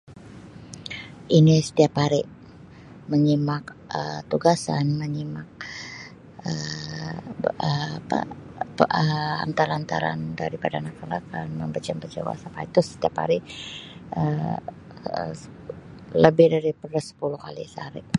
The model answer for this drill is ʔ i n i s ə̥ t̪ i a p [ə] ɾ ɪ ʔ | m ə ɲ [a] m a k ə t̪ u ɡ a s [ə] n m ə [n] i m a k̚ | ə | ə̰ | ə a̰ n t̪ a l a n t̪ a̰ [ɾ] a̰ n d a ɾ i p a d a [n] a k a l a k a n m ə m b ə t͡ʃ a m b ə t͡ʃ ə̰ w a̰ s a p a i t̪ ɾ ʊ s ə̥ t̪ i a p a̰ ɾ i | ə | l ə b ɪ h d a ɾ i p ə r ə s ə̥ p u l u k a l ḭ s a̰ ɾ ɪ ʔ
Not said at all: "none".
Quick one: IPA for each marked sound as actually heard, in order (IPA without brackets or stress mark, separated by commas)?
a, i, a, ɲ, ɾ, n